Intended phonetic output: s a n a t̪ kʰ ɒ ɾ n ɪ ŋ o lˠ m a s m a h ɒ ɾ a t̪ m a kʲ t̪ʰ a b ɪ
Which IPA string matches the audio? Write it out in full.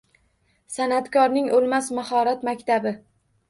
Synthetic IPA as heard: s a n a t̪ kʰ ɒ ɾ n ɪ ŋ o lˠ m a s m a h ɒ ɾ a t̪ m a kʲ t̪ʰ a b ɪ